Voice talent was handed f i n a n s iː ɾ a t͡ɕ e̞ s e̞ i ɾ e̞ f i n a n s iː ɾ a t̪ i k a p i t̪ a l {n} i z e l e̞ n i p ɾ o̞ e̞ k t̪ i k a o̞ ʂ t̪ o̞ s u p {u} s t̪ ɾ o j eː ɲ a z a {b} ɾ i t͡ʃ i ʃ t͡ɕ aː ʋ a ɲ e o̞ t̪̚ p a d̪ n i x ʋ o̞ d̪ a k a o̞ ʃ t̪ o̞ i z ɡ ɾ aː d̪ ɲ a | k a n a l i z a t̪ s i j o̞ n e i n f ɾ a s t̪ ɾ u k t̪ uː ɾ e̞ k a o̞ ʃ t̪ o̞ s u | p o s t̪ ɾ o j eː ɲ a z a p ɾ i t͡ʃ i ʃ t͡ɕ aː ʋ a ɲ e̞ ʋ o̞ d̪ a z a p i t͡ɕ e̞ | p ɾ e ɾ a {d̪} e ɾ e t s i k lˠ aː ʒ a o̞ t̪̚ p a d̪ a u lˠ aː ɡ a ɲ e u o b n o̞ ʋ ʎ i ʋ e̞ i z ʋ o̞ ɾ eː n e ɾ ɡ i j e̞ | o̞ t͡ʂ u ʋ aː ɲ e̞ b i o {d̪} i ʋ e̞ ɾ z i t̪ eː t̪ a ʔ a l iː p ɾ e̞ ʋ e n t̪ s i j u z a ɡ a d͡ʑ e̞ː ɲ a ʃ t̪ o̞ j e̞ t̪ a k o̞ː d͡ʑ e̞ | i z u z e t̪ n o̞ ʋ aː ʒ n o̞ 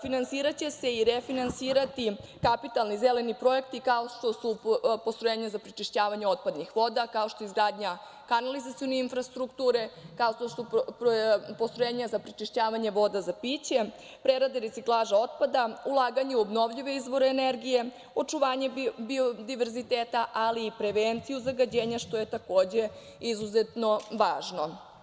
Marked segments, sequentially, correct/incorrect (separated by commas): correct, incorrect, incorrect, correct, correct